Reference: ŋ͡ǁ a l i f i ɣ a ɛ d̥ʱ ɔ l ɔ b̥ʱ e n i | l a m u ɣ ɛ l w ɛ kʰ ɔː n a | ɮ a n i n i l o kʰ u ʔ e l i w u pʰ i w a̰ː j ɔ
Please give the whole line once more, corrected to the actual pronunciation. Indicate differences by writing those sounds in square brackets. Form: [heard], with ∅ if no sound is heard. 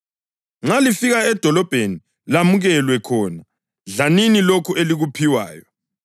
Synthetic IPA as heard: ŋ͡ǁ a l i f i ɣ a ɛ d̥ʱ ɔ l ɔ b̥ʱ e n i | l a m u ɣ ɛ l w ɛ kʰ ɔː n a | ɮ a n i n i l o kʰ u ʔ e l i [ɣ] u pʰ i w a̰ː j ɔ

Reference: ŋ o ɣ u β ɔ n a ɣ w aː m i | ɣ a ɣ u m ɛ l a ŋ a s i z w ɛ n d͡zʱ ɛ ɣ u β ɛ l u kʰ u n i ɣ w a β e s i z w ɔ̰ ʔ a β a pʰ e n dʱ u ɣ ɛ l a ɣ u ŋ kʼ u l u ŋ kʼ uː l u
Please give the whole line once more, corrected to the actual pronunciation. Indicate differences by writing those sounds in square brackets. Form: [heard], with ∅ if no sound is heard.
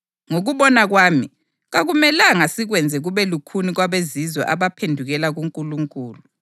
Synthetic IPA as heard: ŋ o ɣ u β ɔ n a ɣ w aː m i | ɣ a ɣ u m ɛ l a ŋ a s i [ɣ] w ɛ n d͡zʱ ɛ ɣ u β ɛ l u kʰ u n i ɣ w a β e [z] i z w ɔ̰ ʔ a β a pʰ e n dʱ u ɣ ɛ l a ɣ u ŋ kʼ u l u ŋ kʼ uː l u

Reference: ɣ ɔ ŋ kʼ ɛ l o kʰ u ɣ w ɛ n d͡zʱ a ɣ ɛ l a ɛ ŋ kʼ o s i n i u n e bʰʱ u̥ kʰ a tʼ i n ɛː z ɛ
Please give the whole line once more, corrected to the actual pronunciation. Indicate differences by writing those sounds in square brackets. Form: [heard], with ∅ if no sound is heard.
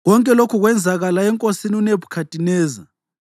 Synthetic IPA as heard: ɣ ɔ ŋ kʼ ɛ l o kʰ u ɣ w ɛ n d͡zʱ a ɣ [a] l a ɛ ŋ kʼ o s i n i u n e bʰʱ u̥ kʰ a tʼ i n ɛː z [a]

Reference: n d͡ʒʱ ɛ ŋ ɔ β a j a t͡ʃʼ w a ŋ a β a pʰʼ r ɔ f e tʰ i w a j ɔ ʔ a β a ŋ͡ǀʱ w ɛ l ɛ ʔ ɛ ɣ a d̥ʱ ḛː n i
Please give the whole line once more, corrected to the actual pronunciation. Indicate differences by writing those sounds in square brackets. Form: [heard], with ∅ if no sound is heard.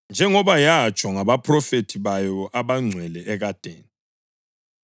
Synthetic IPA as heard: n d͡ʒʱ ɛ ŋ ɔ β a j a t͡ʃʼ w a ŋ a β a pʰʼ r ɔ f e tʰ i [β] a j ɔ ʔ a β a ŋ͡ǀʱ w ɛ l ɛ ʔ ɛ ɣ a d̥ʱ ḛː n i

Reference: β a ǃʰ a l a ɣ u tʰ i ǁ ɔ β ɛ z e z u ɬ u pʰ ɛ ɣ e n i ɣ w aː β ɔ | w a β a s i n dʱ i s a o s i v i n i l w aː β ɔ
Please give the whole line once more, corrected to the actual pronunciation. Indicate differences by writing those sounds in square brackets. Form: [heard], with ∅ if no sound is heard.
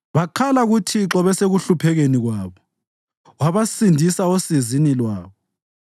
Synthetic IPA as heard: β a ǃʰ a l a ɣ u tʰ i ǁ ɔ β ɛ [s] e [ɣ] u ɬ u pʰ ɛ ɣ e n i ɣ w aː β ɔ | w a β a s i n dʱ i s a o s i [z] i n i l w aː β ɔ

